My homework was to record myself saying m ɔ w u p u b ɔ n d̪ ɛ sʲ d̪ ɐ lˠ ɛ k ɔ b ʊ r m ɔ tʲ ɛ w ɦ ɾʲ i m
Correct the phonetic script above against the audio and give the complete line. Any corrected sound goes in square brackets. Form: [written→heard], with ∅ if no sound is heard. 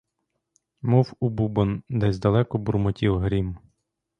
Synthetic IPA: m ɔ w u [p→b] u b ɔ n d̪ ɛ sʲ d̪ ɐ lˠ ɛ k ɔ b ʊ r m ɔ tʲ [ɛ→i] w ɦ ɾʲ i m